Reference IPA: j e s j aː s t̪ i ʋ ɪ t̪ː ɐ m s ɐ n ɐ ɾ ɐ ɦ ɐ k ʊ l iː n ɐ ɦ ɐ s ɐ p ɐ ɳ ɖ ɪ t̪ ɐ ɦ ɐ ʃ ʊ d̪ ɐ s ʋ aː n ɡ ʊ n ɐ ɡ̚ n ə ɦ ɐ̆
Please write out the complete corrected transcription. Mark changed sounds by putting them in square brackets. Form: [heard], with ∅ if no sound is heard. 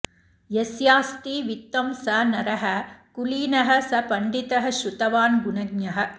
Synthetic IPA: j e s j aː s t̪ i ʋ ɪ t̪ː ɐ m s ɐ n ɐ ɾ ɐ ɦ ɐ k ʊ l iː n ɐ ɦ ɐ s ɐ p ɐ ɳ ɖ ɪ t̪ ɐ ɦ ɐ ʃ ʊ [t̪] ɐ [∅] ʋ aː n ɡ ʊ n ɐ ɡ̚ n [ɐ] ɦ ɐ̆